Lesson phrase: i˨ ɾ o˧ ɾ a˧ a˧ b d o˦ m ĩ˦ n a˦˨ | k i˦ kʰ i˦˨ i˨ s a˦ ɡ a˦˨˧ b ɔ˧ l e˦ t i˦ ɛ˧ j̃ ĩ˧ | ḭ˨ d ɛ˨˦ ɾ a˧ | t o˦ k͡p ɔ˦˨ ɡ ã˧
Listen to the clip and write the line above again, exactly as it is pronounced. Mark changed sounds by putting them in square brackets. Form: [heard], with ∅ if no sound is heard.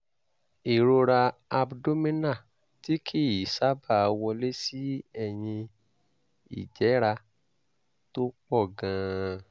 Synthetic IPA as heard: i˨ ɾ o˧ ɾ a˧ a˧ b d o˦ m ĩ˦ n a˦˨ | [t] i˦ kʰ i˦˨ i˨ s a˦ [b] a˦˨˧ [w] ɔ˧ l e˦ [s] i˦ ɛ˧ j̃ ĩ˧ | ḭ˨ [d͡ʒ] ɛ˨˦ ɾ a˧ | t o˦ k͡p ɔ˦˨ ɡ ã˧